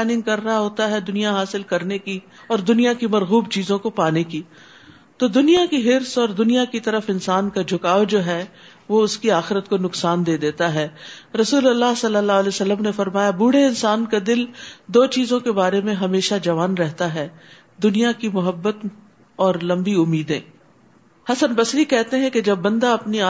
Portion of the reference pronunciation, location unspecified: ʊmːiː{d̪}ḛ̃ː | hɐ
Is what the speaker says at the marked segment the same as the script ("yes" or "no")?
yes